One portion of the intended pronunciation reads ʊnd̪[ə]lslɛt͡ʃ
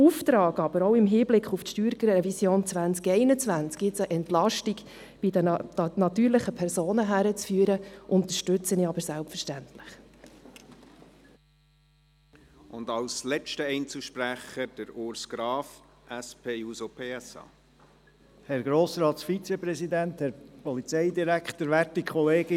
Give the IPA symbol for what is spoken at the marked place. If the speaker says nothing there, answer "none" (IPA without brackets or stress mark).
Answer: ɑ